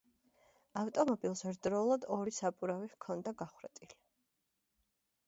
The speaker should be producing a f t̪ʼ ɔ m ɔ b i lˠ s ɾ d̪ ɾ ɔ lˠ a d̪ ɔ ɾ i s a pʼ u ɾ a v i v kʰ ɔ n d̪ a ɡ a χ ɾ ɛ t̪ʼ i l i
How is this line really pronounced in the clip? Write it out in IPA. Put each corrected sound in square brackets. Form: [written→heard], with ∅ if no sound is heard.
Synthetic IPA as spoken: a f t̪ʼ ɔ m ɔ b i lˠ s ɾ d̪ ɾ ɔ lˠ a d̪ ɔ ɾ i s a pʼ u ɾ a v i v kʰ ɔ n d̪ a ɡ a χ ɾ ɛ t̪ʼ i l i